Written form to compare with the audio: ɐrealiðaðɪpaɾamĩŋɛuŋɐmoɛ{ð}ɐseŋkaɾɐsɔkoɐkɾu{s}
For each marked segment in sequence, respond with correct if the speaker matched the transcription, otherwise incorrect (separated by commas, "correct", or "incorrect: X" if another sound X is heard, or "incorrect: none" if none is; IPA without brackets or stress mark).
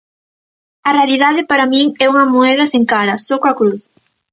correct, incorrect: θ